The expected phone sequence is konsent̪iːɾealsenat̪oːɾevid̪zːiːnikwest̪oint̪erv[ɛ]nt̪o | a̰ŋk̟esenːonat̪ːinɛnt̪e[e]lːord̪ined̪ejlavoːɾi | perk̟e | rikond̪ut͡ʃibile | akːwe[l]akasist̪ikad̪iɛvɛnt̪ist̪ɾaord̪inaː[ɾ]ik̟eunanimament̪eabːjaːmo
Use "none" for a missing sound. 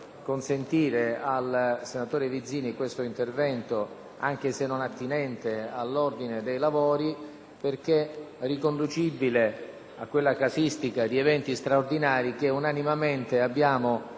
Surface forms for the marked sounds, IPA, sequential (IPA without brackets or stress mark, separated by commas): ɛ, a, lː, ɾ